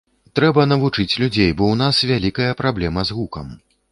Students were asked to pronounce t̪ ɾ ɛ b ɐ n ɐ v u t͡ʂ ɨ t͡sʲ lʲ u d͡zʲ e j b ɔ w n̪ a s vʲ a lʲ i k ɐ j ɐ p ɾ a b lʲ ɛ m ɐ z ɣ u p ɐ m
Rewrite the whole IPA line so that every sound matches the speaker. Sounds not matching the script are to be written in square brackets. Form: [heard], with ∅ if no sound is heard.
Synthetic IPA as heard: t̪ ɾ ɛ b ɐ n ɐ v u t͡ʂ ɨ t͡sʲ lʲ u d͡zʲ e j b ɔ w n̪ a s vʲ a lʲ i k ɐ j ɐ p ɾ a b lʲ ɛ m ɐ z ɣ u [k] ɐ m